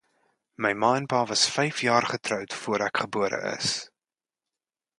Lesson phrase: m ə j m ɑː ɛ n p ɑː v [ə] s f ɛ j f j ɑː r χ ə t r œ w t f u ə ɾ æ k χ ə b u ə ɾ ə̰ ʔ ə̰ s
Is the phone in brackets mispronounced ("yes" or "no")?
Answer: yes